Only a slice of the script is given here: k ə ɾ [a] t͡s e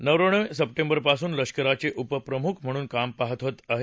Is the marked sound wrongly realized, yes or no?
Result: no